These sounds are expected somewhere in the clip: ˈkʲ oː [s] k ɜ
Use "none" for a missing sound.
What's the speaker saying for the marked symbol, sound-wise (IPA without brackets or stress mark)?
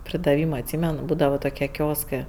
s